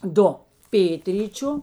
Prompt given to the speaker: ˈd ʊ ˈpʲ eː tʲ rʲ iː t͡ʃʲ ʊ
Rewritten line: ˈd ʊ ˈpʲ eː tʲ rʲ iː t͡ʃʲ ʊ